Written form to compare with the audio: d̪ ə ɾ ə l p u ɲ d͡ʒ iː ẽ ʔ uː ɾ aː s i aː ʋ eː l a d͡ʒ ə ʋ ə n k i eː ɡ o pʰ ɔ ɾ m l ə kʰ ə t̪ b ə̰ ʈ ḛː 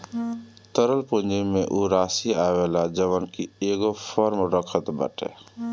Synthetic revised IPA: t̪ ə ɾ ə l p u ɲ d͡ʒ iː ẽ ʔ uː ɾ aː s i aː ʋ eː l a d͡ʒ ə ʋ ə n k i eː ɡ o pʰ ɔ ɾ m ɾ ə kʰ ə t̪ b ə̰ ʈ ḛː